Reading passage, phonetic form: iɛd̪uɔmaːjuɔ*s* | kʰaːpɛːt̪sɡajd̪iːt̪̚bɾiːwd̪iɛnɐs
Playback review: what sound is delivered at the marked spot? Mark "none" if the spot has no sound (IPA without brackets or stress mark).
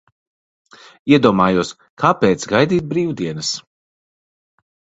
s